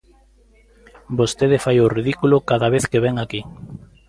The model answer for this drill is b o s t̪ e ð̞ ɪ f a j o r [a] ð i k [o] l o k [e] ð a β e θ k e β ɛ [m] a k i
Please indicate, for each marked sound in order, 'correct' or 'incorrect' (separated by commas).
incorrect, incorrect, incorrect, incorrect